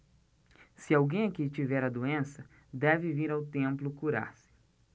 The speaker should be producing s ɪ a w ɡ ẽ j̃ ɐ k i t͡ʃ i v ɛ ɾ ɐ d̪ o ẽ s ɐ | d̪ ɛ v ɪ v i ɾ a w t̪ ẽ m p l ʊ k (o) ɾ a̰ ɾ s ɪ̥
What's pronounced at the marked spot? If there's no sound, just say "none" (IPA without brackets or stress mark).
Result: u